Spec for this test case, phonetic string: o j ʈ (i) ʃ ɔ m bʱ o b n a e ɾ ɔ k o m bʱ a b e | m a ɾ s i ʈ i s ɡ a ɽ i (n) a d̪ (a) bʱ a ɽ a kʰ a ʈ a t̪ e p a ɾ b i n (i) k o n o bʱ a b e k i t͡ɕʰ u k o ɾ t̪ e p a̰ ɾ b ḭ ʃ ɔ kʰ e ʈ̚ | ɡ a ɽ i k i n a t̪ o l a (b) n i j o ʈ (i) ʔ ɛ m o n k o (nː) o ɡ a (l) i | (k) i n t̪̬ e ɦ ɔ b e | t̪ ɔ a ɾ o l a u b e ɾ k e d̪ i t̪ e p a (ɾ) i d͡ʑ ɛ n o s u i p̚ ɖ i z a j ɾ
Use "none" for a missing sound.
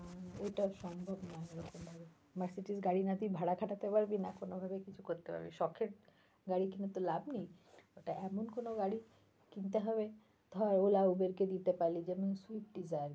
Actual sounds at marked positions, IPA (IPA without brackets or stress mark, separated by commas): a, n, i, a, b, a, n, ɽ, k, l